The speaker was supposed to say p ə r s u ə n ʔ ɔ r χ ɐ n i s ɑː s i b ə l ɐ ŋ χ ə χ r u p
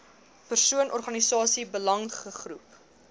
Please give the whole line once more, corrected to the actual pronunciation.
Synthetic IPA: p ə r s u ə n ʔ ɔ r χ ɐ n i s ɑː s i b ə l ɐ ŋ χ ə χ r u p